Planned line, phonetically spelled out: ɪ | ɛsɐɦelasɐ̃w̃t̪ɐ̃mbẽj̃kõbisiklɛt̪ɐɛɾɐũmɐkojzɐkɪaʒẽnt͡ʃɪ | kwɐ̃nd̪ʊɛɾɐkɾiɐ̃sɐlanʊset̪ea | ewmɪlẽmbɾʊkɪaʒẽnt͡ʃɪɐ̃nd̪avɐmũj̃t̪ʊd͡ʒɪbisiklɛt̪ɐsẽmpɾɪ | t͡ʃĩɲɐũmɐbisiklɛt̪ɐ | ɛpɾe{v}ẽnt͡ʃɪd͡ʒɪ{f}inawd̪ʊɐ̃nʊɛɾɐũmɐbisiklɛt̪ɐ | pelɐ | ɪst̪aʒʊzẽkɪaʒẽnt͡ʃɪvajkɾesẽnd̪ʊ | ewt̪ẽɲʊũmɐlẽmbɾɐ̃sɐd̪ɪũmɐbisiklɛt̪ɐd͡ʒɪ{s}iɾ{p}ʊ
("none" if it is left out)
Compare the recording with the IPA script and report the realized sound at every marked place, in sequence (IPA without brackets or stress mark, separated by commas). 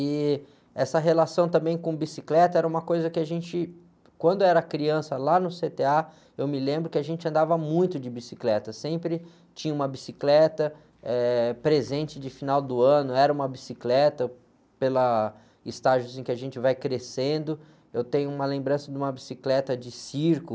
z, f, s, k